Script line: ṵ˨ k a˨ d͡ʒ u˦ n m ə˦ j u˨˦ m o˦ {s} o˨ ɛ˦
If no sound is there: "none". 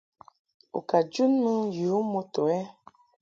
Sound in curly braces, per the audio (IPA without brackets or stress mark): t